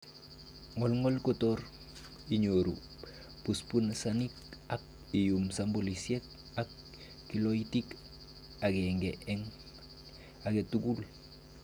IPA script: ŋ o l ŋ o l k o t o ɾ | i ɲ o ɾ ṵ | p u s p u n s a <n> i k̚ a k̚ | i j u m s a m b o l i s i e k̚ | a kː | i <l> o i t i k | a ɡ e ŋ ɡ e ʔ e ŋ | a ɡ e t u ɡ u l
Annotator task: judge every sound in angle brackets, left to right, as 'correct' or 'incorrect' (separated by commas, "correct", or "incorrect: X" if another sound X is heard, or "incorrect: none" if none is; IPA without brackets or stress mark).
correct, correct